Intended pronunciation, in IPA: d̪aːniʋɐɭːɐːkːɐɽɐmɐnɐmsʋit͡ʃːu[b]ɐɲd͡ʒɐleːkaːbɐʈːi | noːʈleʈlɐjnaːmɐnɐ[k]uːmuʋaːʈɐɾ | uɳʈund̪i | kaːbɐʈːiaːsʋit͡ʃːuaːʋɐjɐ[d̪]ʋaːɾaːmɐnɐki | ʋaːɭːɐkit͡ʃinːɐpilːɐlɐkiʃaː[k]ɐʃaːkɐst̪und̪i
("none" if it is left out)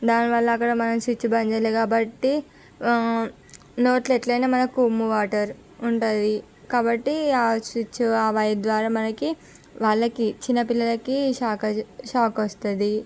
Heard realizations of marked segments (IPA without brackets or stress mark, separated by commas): b, k, d̪, k